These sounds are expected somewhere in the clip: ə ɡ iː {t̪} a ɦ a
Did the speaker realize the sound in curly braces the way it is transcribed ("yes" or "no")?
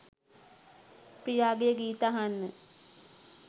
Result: yes